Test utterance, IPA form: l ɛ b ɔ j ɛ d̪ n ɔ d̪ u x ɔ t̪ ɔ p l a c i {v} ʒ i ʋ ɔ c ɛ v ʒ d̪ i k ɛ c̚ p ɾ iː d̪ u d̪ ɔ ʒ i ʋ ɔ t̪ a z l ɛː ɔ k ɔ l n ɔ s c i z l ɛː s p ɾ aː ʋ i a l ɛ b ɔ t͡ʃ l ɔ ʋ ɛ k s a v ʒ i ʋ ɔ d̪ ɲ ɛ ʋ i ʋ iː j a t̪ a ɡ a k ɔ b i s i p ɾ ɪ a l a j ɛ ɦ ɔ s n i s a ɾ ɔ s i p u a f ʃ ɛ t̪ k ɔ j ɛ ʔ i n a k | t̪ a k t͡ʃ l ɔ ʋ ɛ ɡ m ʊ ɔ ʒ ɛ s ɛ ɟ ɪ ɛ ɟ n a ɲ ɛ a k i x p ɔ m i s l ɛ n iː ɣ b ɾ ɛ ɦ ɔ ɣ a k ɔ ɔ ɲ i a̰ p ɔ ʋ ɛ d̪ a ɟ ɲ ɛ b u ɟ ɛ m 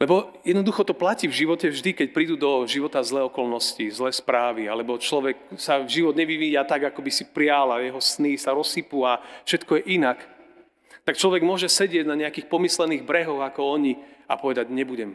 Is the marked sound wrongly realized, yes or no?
no